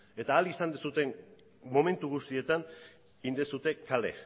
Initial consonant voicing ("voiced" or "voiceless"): voiceless